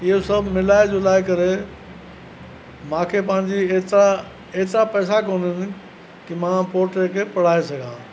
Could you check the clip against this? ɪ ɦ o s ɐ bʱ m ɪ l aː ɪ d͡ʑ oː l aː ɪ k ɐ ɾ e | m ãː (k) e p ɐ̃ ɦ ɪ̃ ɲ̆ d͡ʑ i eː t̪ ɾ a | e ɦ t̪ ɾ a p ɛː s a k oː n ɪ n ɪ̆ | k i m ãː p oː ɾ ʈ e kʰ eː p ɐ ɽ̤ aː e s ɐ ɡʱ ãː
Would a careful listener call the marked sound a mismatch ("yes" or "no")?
yes